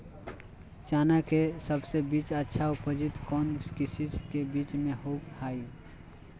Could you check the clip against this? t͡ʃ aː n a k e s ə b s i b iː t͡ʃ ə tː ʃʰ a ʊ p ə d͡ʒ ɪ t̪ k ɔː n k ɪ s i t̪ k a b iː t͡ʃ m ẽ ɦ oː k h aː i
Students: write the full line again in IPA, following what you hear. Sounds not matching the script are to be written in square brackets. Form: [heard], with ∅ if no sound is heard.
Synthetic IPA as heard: t͡ʃ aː n a k e s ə b s [e] b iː t͡ʃ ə tː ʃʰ a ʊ p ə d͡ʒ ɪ t̪ k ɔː n k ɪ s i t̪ k [e] b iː t͡ʃ m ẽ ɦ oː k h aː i

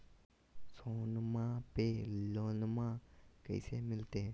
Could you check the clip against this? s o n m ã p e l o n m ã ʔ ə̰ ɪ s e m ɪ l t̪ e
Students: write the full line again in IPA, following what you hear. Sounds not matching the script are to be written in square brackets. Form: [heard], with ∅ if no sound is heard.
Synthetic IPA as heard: s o n m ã p e l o n m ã [k] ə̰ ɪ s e m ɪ l t̪ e

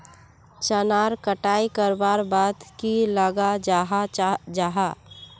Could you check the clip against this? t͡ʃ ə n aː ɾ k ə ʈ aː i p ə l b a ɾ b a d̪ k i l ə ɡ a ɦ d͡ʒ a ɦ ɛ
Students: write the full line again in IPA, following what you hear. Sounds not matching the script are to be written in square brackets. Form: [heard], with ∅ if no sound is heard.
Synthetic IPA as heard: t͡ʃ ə n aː ɾ k ə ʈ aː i [k] ə [ɾ] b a ɾ b a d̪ k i l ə ɡ a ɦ d͡ʒ a ɦ [a]

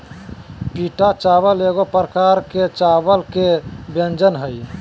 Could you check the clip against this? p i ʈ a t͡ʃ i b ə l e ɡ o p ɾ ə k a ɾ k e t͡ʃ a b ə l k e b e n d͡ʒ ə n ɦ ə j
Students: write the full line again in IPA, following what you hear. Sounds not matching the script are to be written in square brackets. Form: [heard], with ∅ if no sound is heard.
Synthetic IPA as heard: p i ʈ a t͡ʃ [a] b ə l e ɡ o p ɾ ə k a ɾ k e t͡ʃ a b ə l k e b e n d͡ʒ ə n ɦ ə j

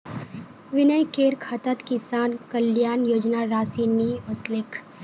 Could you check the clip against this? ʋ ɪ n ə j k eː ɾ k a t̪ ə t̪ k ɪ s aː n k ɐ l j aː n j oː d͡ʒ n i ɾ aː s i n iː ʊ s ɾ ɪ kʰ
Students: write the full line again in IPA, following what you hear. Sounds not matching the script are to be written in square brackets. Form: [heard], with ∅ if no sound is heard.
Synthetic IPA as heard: ʋ ɪ n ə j k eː ɾ [kʰ] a t̪ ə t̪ k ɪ s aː n k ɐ l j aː n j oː d͡ʒ n [a] ɾ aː s i n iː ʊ s [l] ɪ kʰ

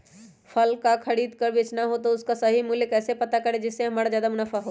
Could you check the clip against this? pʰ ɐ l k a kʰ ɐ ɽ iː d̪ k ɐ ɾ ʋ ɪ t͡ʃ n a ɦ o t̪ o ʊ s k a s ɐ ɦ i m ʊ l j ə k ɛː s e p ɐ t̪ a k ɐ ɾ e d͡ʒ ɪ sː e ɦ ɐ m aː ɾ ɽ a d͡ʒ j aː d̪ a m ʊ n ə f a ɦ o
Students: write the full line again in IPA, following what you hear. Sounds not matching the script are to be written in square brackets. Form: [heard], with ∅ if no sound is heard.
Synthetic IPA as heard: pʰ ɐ l k a kʰ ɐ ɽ iː d̪ k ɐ ɾ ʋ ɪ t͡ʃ n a ɦ o t̪ o ʊ s k a s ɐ ɦ i m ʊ l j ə k ɛː s e p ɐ t̪ a k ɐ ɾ e d͡ʒ ɪ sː e ɦ ɐ m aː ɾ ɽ a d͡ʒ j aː d̪ a m ʊ n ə f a ɦ o

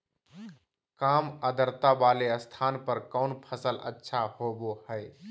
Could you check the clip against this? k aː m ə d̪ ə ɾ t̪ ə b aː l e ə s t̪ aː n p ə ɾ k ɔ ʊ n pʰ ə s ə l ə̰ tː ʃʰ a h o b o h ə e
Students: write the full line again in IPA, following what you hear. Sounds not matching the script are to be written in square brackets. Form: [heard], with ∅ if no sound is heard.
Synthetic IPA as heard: k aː m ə d̪ ə ɾ t̪ [a] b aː l e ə s [t̪ʰ] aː n p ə ɾ k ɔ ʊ n pʰ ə s ə l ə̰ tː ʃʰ a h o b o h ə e

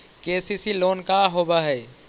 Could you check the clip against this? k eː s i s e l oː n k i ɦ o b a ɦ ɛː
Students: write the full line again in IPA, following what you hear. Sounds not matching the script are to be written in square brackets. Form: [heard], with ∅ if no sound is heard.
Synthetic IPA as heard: k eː s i s [i] l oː n k [a] ɦ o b a ɦ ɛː

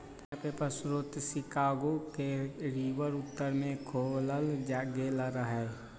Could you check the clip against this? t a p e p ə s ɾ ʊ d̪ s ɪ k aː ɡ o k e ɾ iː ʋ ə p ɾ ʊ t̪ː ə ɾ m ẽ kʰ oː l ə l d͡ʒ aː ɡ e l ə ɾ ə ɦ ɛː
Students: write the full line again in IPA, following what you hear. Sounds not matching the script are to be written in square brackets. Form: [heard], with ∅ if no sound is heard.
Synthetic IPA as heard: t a p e p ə s ɾ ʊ [t̪] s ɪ k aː ɡ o k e ɾ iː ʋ ə [∅] ɾ ʊ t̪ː ə ɾ m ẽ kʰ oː l ə l d͡ʒ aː ɡ e l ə ɾ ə ɦ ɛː

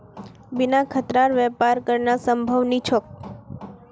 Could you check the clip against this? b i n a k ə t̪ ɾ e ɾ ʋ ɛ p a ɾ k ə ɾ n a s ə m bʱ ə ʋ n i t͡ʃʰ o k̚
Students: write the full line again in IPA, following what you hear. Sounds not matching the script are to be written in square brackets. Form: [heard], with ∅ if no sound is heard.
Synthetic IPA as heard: b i n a [kʰ] ə t̪ ɾ [a] ɾ ʋ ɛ p a ɾ k ə ɾ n a s ə m bʱ ə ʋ n i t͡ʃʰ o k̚

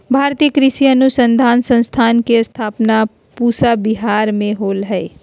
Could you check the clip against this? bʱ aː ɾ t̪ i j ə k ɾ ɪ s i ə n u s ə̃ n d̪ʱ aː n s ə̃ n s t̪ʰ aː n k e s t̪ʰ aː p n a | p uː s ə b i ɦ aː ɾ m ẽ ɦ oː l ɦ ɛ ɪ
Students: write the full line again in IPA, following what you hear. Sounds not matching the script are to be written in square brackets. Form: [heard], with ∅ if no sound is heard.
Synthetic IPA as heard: bʱ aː ɾ t̪ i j ə k ɾ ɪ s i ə n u s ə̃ n d̪ʱ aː n s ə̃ n s t̪ʰ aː n k e s t̪ʰ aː p n a | p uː s [a] b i ɦ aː ɾ m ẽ ɦ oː l ɦ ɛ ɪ

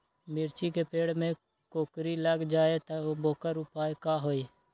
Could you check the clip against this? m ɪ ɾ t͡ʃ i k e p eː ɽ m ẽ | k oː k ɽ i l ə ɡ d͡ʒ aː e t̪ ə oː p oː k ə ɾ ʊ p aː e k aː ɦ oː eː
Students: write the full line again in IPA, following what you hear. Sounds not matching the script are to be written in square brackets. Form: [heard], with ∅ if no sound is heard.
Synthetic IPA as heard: m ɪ ɾ t͡ʃ i k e p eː ɽ m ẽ | k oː k [ɾ] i l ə ɡ d͡ʒ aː e t̪ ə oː [b] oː k ə ɾ ʊ p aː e k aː ɦ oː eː

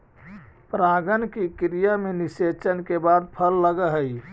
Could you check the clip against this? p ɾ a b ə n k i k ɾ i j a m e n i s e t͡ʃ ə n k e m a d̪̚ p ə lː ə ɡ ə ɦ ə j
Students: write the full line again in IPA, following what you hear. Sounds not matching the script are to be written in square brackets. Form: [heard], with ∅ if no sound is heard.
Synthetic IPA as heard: p ɾ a [ɡ] ə n k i k ɾ i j a m e n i s e t͡ʃ ə n k e [b] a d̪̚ [pʰ] ə lː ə ɡ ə ɦ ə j

